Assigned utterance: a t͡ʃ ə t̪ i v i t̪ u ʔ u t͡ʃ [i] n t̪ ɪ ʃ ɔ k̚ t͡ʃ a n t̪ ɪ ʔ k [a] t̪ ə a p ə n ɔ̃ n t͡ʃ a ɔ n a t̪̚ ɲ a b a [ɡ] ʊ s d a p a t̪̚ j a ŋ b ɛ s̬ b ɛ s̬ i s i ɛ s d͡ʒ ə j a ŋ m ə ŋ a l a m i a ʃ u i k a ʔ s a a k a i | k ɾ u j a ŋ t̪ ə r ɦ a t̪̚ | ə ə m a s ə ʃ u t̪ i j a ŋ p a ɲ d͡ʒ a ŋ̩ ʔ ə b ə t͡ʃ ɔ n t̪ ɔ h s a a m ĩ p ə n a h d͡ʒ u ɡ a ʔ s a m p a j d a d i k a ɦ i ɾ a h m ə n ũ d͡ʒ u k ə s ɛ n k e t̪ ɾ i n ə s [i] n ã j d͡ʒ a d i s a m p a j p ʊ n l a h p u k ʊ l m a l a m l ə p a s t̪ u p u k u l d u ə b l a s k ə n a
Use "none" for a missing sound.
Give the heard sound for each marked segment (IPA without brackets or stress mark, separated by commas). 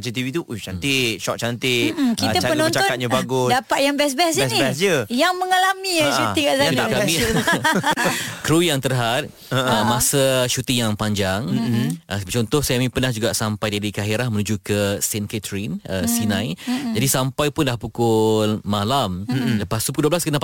a, i, ɡ, i